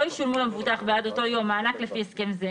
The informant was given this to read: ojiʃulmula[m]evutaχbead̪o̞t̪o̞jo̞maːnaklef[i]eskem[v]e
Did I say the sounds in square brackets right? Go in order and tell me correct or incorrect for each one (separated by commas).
correct, correct, incorrect